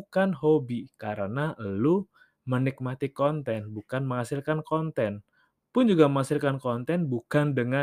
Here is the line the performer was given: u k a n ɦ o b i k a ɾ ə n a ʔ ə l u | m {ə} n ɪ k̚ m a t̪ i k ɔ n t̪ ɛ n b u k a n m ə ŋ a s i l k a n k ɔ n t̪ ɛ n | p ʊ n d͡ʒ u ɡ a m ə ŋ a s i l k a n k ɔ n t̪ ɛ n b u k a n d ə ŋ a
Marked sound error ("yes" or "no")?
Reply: no